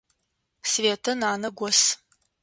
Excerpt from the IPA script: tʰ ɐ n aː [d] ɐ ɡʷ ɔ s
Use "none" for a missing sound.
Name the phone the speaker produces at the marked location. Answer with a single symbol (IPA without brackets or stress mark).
n